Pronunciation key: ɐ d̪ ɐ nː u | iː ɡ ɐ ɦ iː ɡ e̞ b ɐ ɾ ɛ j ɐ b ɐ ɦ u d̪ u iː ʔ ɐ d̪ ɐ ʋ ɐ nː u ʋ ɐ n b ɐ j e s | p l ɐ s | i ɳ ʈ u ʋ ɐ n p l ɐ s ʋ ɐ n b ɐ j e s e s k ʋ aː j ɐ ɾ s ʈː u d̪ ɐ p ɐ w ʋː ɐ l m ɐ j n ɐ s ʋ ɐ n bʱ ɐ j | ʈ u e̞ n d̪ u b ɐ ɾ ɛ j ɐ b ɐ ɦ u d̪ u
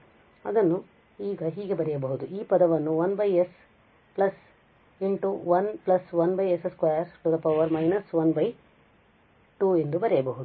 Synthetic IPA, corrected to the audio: ɐ d̪ ɐ nː u | iː ɡ ɐ ɦ iː ɡ e̞ b ɐ ɾ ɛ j ɐ b ɐ ɦ u d̪ u iː p ɐ d̪ ɐ ʋ ɐ nː u ʋ ɐ n b ɐ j e s | p l ɐ s | i ɳ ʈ u ʋ ɐ n p l ɐ s ʋ ɐ n b ɐ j e s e s k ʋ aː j ɐ ɾ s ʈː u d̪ ɐ p ɐ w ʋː ɐ ɾ m ɐ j n ɐ s ʋ ɐ n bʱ ɐ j | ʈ u e̞ n d̪ u b ɐ ɾ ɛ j ɐ b ɐ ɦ u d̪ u